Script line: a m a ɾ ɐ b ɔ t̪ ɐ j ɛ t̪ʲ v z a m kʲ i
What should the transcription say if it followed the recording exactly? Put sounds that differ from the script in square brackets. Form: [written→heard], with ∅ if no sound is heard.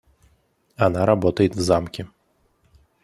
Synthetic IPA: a [m→n] a ɾ [ɐ→a] b ɔ t̪ ɐ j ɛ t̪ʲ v z a m kʲ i